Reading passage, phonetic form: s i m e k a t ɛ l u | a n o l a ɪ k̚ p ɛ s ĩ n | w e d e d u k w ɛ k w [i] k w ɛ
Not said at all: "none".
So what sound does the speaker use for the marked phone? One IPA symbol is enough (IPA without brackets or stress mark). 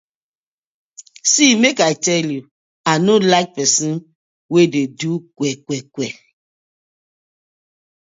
ɛ